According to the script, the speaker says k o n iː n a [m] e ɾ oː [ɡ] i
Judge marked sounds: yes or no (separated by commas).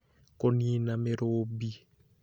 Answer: yes, no